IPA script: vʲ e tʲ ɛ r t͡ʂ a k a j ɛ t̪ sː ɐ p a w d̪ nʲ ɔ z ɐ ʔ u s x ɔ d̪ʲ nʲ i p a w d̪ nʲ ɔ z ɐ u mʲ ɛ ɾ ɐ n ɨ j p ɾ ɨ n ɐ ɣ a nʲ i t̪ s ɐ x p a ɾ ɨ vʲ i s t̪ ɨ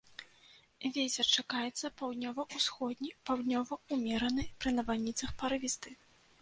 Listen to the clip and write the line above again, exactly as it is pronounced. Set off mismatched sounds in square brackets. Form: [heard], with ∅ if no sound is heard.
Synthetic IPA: vʲ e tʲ ɛ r t͡ʂ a k a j ɛ t̪ sː ɐ p a w d̪ nʲ ɔ [v] ɐ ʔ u s x ɔ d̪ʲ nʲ i p a w d̪ nʲ ɔ [v] ɐ u mʲ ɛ ɾ ɐ n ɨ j p ɾ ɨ n ɐ [v] a nʲ i t̪ s ɐ x p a ɾ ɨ vʲ i s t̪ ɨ